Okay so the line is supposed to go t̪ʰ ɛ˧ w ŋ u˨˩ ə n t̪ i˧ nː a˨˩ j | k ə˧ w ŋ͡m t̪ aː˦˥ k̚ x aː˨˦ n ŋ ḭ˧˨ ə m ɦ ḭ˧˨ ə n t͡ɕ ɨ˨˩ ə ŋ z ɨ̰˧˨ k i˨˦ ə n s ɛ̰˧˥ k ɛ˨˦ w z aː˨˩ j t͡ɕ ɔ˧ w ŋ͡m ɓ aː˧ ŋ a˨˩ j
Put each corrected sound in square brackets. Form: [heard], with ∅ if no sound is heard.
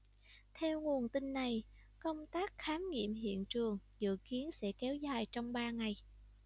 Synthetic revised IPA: t̪ʰ ɛ˧ w ŋ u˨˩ ə n t̪ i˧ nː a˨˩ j | k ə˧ w ŋ͡m t̪ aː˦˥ k̚ x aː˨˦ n ŋ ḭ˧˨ ə m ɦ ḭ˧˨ ə n t͡ɕ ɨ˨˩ ə ŋ z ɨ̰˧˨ k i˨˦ ə n s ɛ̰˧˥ k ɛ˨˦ w z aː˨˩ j t͡ɕ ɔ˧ w ŋ͡m ɓ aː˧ ŋ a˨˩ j